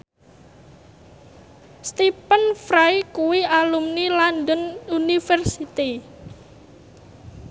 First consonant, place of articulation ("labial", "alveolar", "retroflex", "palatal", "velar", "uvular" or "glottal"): alveolar